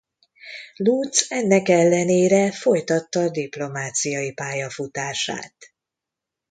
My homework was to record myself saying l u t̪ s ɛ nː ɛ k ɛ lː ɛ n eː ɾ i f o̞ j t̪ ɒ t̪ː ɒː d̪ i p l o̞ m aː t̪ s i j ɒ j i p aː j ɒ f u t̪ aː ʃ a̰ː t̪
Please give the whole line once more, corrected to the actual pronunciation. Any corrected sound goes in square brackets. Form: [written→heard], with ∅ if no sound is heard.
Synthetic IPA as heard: l u t̪ s ɛ nː ɛ k ɛ lː ɛ n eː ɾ [i→ɛ] f o̞ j t̪ ɒ t̪ː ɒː d̪ i p l o̞ m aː t̪ s i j ɒ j i p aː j ɒ f u t̪ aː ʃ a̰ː t̪